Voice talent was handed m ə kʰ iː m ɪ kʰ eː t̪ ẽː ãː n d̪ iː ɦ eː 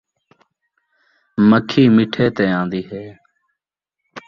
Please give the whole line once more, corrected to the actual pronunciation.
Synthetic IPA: m ə kʰ iː m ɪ ʈʰ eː t̪ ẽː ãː n d̪ iː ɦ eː